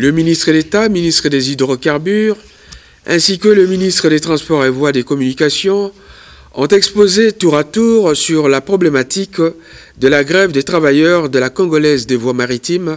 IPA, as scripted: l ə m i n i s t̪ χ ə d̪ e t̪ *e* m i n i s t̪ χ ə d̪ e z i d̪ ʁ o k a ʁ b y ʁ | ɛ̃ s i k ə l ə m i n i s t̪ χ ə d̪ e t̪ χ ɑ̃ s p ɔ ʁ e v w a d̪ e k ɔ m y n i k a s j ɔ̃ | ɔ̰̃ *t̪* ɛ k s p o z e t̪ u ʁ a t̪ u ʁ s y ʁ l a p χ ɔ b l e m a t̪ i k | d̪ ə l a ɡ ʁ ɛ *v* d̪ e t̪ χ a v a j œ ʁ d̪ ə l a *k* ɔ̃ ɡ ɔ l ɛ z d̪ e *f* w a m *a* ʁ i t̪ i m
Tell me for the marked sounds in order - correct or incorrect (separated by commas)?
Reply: incorrect, correct, correct, correct, incorrect, correct